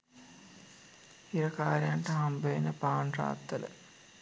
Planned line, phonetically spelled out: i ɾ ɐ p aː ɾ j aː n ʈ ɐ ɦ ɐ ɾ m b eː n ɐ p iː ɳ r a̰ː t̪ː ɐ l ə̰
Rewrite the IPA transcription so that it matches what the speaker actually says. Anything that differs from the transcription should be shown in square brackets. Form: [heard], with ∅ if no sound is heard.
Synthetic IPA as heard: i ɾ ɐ [k] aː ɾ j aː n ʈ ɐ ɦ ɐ [∅] m b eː n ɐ p [aː] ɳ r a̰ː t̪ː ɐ l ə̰